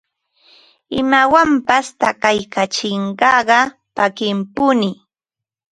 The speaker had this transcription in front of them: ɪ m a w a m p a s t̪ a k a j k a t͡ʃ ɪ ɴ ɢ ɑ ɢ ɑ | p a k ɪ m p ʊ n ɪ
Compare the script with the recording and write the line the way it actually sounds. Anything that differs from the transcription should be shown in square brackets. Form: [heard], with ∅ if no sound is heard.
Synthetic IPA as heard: ɪ m a w a m p a s t̪ a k a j k a t͡ʃ ɪ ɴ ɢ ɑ ɢ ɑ | p a k ɪ m p ʊ n ɪ